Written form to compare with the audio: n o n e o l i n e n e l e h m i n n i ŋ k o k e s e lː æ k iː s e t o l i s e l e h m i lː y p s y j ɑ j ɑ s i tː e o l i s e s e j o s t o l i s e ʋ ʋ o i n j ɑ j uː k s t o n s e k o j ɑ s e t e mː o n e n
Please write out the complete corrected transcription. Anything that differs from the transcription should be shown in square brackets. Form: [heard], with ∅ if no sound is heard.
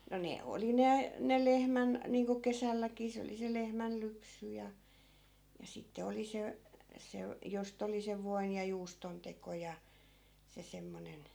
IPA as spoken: n o n e o l i n e n e l e h m [æ] n n [iː] ŋ k o k e s [æ] lː æ k iː s e [∅] o l i s e l e h m [æ] lː y p s y j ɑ j ɑ s i tː e o l i s e s e j o s t o l i s e ʋ ʋ o i n j ɑ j uː [∅] s t o n [t] e k o j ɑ s e [s] e mː o n e n